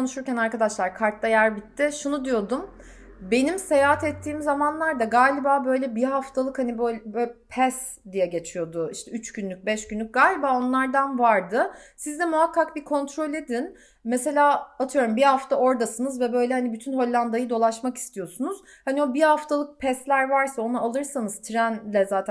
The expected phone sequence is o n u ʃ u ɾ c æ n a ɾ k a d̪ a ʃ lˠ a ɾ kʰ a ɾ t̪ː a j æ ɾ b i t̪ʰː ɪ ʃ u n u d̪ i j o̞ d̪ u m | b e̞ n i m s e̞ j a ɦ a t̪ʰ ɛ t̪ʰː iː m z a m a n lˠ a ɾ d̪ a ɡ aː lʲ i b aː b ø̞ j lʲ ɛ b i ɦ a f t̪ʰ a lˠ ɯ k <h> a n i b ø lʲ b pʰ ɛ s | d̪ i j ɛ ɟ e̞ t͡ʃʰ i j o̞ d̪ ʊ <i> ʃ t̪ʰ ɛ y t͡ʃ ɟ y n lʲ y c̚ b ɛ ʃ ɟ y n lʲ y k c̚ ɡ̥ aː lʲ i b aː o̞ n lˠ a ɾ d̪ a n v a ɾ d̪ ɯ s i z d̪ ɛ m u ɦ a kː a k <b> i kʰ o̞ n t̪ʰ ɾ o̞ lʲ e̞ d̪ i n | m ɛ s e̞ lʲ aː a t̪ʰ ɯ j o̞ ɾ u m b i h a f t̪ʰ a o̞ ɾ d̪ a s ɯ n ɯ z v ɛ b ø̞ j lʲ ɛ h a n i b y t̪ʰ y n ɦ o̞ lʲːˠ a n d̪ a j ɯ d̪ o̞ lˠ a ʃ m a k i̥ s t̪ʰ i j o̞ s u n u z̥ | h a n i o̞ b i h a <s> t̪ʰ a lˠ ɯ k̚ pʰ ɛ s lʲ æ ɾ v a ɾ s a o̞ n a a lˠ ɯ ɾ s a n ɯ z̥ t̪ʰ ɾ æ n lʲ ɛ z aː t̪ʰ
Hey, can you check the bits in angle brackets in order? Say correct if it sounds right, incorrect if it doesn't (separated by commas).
correct, correct, correct, incorrect